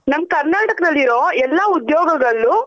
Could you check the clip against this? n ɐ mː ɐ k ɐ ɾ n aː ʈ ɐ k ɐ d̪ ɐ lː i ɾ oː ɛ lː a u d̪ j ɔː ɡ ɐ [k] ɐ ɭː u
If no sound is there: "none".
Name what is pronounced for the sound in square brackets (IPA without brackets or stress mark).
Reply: ɡ